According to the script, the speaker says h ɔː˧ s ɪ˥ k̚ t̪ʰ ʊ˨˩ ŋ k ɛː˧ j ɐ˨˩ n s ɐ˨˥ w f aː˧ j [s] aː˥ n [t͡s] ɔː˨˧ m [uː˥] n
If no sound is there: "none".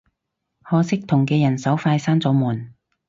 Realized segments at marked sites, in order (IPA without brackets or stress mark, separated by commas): s, t͡s, uː˨˩